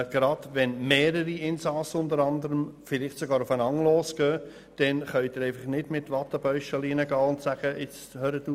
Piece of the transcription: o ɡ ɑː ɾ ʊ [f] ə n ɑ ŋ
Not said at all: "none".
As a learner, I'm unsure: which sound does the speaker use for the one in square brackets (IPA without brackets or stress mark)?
f